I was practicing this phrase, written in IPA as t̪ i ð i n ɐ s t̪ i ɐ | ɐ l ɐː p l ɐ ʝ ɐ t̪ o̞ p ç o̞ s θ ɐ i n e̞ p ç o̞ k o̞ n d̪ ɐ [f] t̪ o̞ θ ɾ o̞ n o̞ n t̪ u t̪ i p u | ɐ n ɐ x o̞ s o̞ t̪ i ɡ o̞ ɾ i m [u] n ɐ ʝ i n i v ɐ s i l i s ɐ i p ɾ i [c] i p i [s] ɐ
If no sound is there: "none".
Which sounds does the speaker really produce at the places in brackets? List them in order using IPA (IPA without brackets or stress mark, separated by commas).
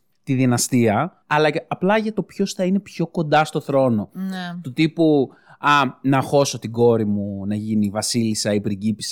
s, u, ɟ, s